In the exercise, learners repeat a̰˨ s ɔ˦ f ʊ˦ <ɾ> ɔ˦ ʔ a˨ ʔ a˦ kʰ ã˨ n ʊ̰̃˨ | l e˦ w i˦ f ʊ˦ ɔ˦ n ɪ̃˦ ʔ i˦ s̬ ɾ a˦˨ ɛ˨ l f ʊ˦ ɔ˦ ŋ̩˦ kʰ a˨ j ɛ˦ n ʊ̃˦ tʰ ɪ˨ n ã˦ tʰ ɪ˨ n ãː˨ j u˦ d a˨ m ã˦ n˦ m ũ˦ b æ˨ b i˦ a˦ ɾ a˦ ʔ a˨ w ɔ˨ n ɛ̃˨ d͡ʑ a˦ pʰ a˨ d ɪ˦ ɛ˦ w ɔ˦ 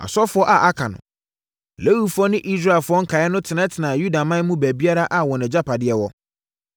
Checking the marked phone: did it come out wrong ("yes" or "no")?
yes